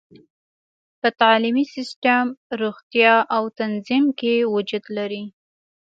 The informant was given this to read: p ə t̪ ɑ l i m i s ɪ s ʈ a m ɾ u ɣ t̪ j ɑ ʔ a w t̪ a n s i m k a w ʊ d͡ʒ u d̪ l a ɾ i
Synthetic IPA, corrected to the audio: p ə t̪ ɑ l i m i s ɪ s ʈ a m ɾ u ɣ t̪ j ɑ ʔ a w t̪ a n z i m k e w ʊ d͡ʒ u d̪ l a ɾ i